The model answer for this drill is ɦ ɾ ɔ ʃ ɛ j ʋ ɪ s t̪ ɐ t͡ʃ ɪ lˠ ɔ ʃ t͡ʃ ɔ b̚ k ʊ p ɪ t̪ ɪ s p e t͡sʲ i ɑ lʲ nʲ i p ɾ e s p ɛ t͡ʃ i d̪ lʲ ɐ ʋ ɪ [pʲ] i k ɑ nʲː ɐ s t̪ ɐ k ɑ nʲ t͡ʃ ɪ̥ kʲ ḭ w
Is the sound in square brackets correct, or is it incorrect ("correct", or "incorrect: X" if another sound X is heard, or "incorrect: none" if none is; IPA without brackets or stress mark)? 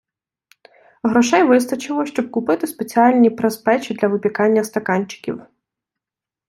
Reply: correct